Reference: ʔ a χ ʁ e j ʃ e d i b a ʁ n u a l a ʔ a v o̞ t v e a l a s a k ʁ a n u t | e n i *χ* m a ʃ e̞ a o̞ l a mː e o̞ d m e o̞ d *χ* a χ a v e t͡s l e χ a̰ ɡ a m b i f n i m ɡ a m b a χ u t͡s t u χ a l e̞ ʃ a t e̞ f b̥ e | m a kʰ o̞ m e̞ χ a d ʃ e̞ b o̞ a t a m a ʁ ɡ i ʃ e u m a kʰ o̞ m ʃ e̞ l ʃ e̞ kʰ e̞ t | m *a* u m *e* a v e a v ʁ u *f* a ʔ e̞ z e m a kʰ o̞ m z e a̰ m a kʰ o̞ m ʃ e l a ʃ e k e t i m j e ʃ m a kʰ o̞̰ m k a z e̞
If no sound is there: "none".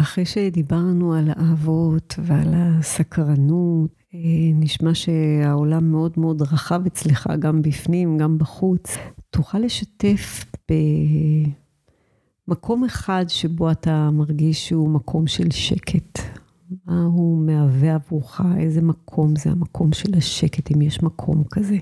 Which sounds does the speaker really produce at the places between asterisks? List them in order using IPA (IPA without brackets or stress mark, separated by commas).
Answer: ʃ, ʁ, a, e, χ